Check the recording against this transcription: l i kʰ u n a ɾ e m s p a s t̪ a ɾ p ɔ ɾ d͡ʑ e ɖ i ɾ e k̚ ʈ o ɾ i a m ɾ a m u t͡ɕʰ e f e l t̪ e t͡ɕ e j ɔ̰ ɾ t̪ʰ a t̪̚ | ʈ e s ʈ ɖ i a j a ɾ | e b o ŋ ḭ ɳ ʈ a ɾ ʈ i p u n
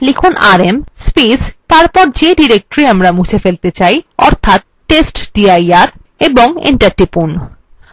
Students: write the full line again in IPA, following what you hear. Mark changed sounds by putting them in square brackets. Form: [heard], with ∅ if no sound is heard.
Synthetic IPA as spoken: l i kʰ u n a ɾ e m s p [i] s t̪ a ɾ p ɔ ɾ d͡ʑ e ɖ i ɾ e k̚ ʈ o ɾ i a m ɾ a m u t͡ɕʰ e f e l t̪ e t͡ɕ [a] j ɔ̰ ɾ t̪ʰ a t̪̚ | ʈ e s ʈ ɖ i a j a ɾ | e b o ŋ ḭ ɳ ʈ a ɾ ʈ i p u n